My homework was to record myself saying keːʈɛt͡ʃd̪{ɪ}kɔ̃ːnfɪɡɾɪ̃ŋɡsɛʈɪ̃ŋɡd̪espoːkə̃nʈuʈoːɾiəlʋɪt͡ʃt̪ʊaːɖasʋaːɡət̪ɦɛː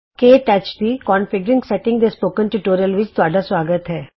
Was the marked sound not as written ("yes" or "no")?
yes